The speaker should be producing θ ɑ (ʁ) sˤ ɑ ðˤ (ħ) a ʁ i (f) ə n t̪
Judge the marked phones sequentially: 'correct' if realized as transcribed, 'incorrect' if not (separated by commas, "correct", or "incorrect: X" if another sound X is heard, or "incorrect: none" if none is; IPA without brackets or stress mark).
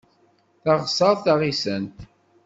correct, incorrect: θ, incorrect: s